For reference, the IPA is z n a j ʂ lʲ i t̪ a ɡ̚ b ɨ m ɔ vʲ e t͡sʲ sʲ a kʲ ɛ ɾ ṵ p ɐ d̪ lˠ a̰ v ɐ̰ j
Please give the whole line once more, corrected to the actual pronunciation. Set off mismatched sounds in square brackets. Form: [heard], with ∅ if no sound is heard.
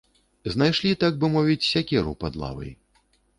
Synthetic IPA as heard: z n a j ʂ lʲ i t̪ a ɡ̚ b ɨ m ɔ vʲ [i] t͡sʲ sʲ a kʲ ɛ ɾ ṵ p [a] d̪ lˠ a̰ v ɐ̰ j